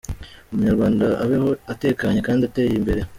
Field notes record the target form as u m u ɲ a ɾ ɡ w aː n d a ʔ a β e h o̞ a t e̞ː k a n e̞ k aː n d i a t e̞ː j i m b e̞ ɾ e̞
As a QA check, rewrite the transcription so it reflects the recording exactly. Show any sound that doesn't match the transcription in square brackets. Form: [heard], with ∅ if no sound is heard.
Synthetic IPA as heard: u m u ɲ a ɾ ɡ w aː n d a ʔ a β e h o̞ a t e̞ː k a [ɲ] e̞ k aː n d i a t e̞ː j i m b e̞ ɾ e̞